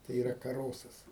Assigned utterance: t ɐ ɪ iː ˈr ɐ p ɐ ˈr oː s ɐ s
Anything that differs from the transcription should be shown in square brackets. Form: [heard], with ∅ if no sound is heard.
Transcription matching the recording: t ɐ ɪ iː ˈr ɐ [k] ɐ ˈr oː s ɐ s

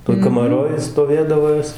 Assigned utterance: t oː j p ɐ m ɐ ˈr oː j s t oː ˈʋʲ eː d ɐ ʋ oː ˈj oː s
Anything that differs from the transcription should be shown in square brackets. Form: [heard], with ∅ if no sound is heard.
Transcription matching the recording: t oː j [k] ɐ m ɐ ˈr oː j s t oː ˈʋʲ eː d ɐ ʋ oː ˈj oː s

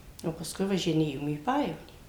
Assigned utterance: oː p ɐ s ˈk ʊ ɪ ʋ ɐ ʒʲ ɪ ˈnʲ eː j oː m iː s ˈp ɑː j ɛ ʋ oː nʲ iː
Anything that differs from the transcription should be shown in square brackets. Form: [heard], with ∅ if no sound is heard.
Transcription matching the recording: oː p ɐ s ˈk ʊ ɪ ʋ ɐ ʒʲ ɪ ˈnʲ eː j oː m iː [∅] ˈp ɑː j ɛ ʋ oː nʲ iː

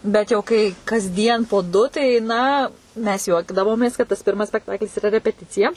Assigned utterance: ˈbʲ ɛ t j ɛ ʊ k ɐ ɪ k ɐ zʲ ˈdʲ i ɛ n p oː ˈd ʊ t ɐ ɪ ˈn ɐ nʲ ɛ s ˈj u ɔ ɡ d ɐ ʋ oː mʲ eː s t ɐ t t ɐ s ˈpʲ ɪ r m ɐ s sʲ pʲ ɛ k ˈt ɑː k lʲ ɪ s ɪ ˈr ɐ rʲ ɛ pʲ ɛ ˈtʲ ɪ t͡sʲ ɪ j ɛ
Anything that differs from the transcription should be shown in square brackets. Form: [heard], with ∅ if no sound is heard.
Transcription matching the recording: ˈbʲ ɛ t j ɛ ʊ k ɐ ɪ k ɐ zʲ ˈdʲ i ɛ n p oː ˈd ʊ t ɐ ɪ ˈn ɐ [mʲ] ɛ s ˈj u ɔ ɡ d ɐ ʋ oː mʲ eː s [k] ɐ t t ɐ s ˈpʲ ɪ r m ɐ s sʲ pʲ ɛ k ˈt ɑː k lʲ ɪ s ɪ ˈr ɐ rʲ ɛ pʲ ɛ ˈtʲ ɪ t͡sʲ ɪ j ɛ

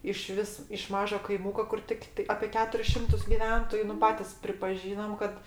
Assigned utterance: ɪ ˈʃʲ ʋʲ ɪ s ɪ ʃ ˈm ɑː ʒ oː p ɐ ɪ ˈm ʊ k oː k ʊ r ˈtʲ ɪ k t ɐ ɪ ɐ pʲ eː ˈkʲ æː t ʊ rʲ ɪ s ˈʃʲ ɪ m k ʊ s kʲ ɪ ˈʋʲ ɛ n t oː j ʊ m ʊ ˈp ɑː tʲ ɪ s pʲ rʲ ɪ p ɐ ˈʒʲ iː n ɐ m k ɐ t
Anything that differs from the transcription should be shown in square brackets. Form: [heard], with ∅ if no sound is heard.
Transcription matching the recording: ɪ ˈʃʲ ʋʲ ɪ s ɪ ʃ ˈm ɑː ʒ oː [k] ɐ ɪ ˈm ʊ k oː k ʊ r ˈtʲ ɪ k t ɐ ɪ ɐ pʲ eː ˈkʲ æː t ʊ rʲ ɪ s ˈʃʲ ɪ m [t] ʊ s [ɡʲ] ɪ ˈʋʲ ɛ n t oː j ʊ [n] ʊ ˈp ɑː tʲ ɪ s pʲ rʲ ɪ p ɐ ˈʒʲ iː n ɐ m k ɐ t

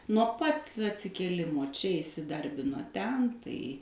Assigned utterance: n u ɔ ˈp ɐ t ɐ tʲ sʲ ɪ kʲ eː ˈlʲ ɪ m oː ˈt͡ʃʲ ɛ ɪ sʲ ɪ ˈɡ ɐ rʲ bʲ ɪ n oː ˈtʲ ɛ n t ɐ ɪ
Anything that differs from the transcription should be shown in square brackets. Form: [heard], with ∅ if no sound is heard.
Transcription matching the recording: n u ɔ ˈp ɐ t ɐ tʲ sʲ ɪ kʲ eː ˈlʲ ɪ m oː ˈt͡ʃʲ ɛ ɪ sʲ ɪ [ˈd] ɐ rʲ bʲ ɪ n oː ˈtʲ ɛ n t ɐ ɪ

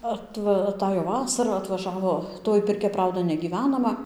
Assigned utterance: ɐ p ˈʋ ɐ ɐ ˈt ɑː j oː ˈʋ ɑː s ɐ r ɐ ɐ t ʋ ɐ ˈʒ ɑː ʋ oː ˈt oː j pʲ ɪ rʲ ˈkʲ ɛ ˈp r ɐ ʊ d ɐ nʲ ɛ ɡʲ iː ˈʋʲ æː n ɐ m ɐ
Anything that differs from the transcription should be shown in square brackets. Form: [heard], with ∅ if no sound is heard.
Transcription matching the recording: ɐ [t] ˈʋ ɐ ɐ ˈt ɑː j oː ˈʋ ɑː s ɐ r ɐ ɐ t ʋ ɐ ˈʒ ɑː ʋ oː ˈt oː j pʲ ɪ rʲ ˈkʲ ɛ ˈp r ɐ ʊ d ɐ nʲ ɛ ɡʲ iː ˈʋʲ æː n ɐ m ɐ

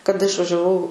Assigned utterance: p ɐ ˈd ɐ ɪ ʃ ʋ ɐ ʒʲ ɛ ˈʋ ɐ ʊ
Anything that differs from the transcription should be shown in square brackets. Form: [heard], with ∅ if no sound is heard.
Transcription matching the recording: [k] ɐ ˈd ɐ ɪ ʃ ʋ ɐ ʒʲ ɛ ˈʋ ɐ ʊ

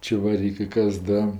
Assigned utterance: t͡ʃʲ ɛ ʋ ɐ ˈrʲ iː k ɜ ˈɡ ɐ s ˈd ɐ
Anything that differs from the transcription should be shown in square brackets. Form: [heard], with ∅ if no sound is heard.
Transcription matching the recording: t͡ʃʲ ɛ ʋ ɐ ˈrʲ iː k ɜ [ˈk] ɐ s ˈd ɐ

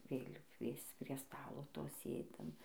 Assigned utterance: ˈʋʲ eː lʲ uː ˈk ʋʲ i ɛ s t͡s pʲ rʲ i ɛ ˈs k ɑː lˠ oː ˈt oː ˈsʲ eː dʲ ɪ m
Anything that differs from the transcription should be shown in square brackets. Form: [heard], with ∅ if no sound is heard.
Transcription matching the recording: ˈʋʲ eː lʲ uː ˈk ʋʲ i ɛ s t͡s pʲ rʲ i ɛ ˈs [t] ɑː lˠ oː ˈt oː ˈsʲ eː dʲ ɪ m

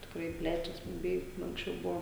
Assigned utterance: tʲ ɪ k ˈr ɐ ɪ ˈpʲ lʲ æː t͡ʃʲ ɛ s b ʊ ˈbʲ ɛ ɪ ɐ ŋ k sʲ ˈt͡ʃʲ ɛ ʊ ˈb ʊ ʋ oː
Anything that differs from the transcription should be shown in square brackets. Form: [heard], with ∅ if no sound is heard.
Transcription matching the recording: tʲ ɪ k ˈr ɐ ɪ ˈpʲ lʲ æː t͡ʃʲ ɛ s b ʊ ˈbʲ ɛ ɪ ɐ ŋ k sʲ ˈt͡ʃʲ ɛ ʊ ˈb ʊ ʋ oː

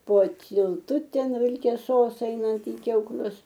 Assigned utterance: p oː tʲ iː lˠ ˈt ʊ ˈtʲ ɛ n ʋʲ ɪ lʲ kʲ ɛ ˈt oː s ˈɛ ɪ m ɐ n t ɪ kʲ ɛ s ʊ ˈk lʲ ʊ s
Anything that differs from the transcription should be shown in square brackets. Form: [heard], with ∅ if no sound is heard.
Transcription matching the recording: p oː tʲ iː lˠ ˈt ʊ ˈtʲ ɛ n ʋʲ ɪ lʲ kʲ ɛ [ˈs] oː s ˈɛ ɪ [n] ɐ n t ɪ kʲ ɛ [∅] ʊ ˈk lʲ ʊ s

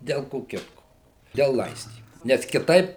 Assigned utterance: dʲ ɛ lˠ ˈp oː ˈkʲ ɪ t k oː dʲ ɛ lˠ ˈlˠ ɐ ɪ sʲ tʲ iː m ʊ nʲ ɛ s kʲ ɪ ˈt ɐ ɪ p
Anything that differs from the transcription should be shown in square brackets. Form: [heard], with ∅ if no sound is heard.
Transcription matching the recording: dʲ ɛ lˠ [ˈk] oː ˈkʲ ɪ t k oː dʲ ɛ lˠ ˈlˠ ɐ ɪ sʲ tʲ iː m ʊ nʲ ɛ s kʲ ɪ ˈt ɐ ɪ p

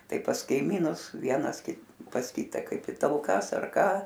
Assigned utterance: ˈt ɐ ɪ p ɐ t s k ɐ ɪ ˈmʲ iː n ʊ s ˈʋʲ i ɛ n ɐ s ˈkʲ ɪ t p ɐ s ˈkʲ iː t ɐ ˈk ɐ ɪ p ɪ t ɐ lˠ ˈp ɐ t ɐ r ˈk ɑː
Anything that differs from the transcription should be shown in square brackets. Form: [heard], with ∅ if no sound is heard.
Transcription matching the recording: ˈt ɐ ɪ p ɐ [∅] s k ɐ ɪ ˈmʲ iː n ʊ s ˈʋʲ i ɛ n ɐ s ˈkʲ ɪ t p ɐ s ˈkʲ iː t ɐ ˈk ɐ ɪ p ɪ t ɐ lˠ [ˈk] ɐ [s] ɐ r ˈk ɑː

